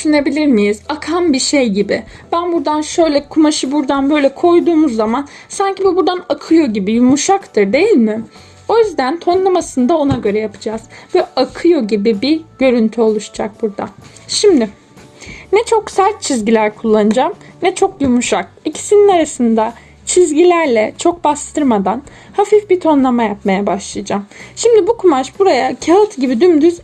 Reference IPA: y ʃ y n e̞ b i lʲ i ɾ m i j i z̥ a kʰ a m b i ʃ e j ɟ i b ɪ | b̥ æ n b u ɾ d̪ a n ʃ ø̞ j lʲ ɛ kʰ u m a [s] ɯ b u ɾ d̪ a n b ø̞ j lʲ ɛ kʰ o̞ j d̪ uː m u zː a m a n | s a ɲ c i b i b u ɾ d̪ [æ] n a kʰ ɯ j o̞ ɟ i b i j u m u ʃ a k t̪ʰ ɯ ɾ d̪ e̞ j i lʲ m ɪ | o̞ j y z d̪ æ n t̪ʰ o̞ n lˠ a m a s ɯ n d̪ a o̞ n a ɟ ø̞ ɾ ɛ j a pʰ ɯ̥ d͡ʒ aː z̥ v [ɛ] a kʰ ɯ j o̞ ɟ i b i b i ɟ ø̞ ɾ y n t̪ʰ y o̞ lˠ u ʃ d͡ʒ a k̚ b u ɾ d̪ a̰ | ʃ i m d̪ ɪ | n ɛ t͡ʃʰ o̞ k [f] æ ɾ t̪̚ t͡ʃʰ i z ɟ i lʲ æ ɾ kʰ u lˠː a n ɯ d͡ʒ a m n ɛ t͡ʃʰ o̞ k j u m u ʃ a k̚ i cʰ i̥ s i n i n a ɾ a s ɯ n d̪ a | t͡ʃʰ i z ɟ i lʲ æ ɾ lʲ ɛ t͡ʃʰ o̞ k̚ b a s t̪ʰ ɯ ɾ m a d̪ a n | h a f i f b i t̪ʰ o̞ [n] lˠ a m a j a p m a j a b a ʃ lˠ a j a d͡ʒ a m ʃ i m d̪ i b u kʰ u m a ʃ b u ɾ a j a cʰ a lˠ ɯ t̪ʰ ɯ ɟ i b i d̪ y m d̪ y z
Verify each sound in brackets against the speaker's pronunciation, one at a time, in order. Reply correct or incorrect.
incorrect, incorrect, correct, incorrect, correct

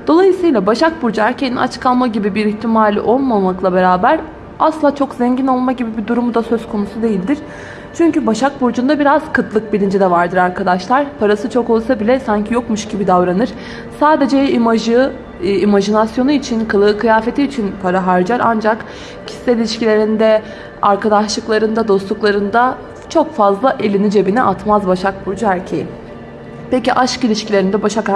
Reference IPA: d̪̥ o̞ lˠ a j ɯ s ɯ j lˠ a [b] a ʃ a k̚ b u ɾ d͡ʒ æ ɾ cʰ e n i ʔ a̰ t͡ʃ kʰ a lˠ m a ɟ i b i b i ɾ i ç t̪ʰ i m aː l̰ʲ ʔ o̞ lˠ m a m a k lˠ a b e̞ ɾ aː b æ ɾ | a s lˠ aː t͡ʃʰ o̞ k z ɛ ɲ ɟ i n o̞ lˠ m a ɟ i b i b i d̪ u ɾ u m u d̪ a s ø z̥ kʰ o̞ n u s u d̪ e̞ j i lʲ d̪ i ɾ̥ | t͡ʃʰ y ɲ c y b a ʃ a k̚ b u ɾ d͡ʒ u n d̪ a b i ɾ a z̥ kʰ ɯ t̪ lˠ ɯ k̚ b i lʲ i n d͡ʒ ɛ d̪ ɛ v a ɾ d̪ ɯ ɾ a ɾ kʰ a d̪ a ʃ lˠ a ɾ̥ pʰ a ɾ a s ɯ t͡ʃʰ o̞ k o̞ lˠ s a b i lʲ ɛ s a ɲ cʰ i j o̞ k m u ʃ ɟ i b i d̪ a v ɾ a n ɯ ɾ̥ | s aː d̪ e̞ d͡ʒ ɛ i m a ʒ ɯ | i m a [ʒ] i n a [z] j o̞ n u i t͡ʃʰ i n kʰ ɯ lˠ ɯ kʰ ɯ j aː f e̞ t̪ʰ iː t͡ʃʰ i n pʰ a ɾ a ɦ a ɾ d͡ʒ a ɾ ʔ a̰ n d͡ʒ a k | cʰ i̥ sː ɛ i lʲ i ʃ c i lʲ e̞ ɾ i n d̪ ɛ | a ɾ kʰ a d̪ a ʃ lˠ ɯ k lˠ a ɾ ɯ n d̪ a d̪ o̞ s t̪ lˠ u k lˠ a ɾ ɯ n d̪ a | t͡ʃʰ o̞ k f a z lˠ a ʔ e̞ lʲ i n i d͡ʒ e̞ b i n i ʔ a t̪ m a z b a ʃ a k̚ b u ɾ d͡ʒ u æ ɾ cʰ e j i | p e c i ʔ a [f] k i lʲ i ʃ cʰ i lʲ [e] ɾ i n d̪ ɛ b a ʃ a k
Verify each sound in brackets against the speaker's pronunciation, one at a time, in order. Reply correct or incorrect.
correct, correct, incorrect, incorrect, correct

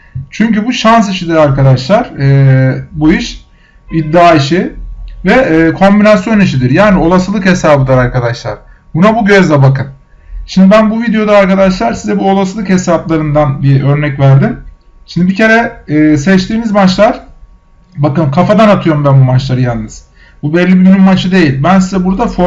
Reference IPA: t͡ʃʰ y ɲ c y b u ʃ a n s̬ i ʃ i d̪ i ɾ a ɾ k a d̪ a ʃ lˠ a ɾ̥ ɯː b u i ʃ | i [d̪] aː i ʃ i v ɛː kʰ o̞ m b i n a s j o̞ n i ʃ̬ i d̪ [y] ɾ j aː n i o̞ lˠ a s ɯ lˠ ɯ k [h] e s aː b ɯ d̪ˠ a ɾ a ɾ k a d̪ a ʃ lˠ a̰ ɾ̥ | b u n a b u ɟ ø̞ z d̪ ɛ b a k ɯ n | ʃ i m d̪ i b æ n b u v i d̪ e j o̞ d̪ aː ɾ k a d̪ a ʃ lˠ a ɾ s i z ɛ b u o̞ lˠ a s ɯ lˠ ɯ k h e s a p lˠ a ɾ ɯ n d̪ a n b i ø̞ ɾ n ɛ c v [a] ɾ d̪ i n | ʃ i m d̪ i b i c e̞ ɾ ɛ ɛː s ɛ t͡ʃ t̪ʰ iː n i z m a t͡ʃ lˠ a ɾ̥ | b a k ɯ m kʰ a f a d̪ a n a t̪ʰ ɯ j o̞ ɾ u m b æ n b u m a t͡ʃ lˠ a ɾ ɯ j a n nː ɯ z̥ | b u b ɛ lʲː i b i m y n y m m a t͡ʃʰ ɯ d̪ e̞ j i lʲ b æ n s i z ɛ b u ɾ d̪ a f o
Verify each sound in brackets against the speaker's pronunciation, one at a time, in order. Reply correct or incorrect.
incorrect, incorrect, correct, incorrect

